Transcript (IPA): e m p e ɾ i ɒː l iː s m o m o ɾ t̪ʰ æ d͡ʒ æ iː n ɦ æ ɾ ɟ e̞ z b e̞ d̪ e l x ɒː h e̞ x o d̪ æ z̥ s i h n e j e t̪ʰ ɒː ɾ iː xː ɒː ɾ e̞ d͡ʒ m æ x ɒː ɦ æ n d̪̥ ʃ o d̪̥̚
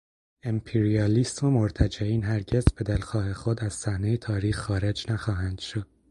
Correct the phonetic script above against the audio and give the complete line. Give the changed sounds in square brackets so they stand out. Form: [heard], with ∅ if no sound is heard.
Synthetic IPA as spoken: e m [pʰ] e ɾ i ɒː l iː s m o m o ɾ t̪ʰ æ d͡ʒ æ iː n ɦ æ ɾ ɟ e̞ z b e̞ d̪ e l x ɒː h e̞ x o d̪ æ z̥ s [æ] h n e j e t̪ʰ ɒː ɾ iː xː ɒː ɾ e̞ d͡ʒ [n] æ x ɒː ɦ æ n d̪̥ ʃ o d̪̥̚